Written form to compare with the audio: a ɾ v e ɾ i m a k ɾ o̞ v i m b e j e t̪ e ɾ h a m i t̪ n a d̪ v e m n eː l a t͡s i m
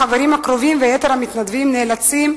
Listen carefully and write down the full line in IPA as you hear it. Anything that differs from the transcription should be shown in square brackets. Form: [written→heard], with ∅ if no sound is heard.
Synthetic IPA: a [ɾ→∅] v e ɾ i m a k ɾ o̞ v i m [b→v] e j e t̪ e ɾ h a m i t̪ n a d̪ v [e→i] m n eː l a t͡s i m